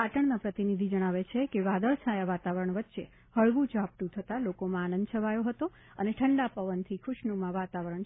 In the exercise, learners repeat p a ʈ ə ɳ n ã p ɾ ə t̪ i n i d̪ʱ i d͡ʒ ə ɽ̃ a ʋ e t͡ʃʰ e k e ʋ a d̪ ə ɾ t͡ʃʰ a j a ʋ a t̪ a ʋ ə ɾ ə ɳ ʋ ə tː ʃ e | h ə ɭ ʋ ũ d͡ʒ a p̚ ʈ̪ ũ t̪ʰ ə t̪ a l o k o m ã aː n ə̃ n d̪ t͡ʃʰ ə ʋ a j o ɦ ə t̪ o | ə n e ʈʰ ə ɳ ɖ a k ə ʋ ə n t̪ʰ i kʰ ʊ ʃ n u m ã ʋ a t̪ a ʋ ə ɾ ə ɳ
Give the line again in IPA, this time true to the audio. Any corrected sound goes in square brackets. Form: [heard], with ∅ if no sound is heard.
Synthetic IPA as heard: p a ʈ ə ɳ n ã p ɾ ə t̪ i n i d̪ʱ i d͡ʒ ə ɽ̃ a ʋ e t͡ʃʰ e k e ʋ a d̪ ə [ɭ] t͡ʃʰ a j a ʋ a t̪ a ʋ ə ɾ ə ɳ ʋ ə tː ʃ e | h ə ɭ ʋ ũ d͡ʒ a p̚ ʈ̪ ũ t̪ʰ ə t̪ a l o k o m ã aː n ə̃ n d̪ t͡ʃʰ ə ʋ a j o ɦ ə t̪ o | ə n e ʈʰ ə ɳ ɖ a [p] ə ʋ ə n t̪ʰ i kʰ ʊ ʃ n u m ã ʋ a t̪ a ʋ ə ɾ ə ɳ

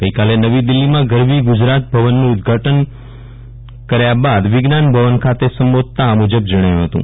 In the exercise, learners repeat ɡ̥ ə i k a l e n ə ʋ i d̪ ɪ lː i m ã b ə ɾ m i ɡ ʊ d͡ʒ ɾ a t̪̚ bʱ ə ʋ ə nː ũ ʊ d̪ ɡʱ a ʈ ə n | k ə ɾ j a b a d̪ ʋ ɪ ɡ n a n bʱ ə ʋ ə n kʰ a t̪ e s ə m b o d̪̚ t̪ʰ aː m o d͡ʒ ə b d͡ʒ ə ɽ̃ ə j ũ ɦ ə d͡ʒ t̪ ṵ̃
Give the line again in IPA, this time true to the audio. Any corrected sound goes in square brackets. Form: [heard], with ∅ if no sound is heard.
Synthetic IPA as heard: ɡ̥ ə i k a l e n ə ʋ i d̪ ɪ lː i m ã [ɡ] ə ɾ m i ɡ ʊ d͡ʒ ɾ a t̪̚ bʱ ə ʋ ə nː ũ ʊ d̪ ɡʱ a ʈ ə n | k ə ɾ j a b a d̪ ʋ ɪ ɡ n a n bʱ ə ʋ ə n kʰ a t̪ e s ə m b o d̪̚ [t̪] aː m [u] d͡ʒ ə b d͡ʒ ə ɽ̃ ə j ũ ɦ ə [∅] t̪ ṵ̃

